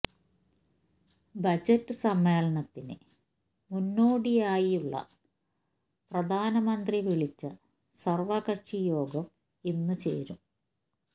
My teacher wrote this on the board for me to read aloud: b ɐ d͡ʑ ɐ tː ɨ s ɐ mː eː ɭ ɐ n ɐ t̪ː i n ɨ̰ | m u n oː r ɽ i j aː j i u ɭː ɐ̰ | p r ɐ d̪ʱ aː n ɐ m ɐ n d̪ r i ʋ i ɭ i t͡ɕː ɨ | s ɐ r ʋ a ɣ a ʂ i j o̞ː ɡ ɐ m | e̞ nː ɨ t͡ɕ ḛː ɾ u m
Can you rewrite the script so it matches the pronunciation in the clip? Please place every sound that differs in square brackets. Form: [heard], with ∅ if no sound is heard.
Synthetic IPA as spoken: b ɐ d͡ʑ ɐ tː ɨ s ɐ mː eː ɭ ɐ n ɐ t̪ː i n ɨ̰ | m u [nː] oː [∅] ɽ i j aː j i u ɭː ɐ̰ | p r ɐ d̪ʱ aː n ɐ m ɐ n d̪ r i ʋ i ɭ i t͡ɕː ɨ | s ɐ r ʋ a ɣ [ɐ] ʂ i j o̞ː ɡ ɐ m | e̞ nː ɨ t͡ɕ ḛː ɾ u m